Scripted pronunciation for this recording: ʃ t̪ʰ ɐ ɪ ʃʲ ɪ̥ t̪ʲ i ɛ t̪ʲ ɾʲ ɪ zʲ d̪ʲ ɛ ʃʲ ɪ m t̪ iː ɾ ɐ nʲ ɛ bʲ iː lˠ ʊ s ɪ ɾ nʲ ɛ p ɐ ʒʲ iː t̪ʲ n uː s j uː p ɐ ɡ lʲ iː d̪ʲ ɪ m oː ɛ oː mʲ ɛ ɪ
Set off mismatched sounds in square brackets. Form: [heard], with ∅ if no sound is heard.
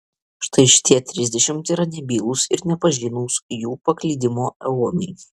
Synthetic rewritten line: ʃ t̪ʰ ɐ ɪ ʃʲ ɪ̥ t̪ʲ i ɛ t̪ʲ ɾʲ ɪ zʲ d̪ʲ ɛ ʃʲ ɪ m t̪ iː ɾ ɐ nʲ ɛ bʲ iː lˠ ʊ s ɪ ɾ nʲ ɛ p ɐ ʒʲ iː [∅] n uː s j uː p ɐ [k] lʲ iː d̪ʲ ɪ m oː ɛ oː mʲ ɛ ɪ